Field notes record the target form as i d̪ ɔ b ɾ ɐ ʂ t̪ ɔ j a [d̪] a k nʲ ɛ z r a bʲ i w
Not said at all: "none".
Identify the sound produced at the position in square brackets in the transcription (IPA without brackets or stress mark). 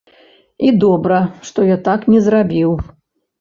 t̪